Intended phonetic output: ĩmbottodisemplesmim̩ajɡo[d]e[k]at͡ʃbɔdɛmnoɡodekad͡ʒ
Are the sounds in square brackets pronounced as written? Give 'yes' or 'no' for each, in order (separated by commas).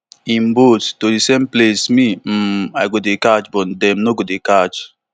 yes, yes